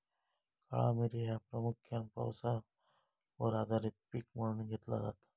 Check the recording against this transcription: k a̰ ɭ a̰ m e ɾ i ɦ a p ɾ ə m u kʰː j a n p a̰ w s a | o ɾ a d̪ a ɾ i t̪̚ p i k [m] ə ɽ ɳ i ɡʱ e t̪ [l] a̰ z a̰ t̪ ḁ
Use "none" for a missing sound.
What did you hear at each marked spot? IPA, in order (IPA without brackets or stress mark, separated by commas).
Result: m, l